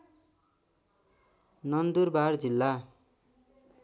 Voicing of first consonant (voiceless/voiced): voiced